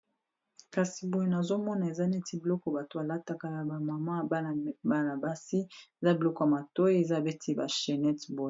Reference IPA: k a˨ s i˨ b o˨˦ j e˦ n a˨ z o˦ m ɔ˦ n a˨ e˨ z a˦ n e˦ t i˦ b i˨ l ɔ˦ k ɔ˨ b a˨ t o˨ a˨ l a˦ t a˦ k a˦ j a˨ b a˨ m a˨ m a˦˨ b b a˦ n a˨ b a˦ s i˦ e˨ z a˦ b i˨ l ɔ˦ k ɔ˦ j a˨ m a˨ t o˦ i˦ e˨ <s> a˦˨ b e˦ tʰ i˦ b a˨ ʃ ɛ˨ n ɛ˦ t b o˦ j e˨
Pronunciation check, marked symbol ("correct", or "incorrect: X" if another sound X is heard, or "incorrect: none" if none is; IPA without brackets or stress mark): incorrect: z